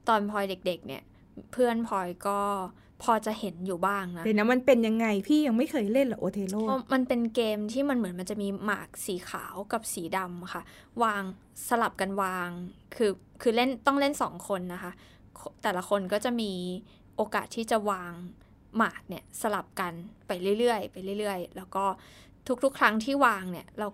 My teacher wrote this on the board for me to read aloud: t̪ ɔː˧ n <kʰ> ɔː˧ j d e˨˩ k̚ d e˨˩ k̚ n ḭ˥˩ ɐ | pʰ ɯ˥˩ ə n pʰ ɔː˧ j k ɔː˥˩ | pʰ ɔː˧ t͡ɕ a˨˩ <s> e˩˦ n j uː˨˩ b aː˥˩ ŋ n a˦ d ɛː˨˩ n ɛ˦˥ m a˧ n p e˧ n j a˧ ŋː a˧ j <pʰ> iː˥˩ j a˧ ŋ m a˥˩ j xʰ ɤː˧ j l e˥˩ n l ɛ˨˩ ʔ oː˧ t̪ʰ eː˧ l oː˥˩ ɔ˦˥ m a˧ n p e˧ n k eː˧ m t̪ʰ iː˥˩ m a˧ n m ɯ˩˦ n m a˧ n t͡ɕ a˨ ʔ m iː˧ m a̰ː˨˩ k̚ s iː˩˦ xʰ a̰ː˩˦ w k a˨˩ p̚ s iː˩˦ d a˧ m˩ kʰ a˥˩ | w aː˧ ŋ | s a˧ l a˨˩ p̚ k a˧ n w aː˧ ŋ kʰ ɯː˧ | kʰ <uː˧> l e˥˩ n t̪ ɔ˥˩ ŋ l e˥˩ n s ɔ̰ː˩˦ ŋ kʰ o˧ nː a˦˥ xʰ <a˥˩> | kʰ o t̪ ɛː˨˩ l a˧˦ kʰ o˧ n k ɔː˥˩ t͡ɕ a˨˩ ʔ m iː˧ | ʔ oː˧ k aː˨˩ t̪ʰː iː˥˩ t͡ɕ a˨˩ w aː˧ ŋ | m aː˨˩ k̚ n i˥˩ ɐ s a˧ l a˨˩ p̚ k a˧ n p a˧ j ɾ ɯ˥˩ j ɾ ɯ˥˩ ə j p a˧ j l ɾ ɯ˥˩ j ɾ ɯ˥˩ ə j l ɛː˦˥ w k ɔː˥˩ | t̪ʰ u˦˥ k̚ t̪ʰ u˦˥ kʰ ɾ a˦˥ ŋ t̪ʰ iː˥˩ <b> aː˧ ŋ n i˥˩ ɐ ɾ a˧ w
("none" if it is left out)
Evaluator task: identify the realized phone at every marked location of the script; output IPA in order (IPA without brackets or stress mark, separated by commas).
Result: pʰ, h, pʰ, ɯː˧, a˦˥, w